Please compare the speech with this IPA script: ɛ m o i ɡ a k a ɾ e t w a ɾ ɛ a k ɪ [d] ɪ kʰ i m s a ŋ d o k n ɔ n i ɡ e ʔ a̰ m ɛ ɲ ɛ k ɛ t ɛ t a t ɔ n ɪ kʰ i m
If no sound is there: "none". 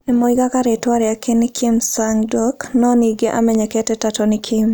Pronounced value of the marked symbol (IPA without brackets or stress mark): n